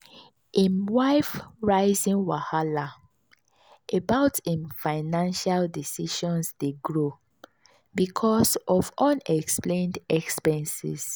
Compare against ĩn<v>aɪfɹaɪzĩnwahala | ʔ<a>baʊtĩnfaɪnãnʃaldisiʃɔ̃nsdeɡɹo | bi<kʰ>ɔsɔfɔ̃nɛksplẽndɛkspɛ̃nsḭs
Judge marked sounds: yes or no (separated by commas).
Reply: no, no, yes